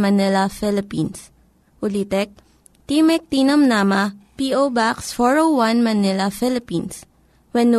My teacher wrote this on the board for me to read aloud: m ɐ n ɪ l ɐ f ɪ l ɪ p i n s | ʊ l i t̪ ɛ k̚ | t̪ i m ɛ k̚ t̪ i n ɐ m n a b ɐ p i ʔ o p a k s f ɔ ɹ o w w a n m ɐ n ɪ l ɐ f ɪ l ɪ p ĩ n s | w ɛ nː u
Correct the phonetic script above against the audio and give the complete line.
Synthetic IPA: m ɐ n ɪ l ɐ f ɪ l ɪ p i n s | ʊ l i t̪ ɛ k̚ | t̪ i m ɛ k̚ t̪ i n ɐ m n a m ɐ p i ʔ o b a k s f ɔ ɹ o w w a n m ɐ n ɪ l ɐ f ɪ l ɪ p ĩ n s | w ɛ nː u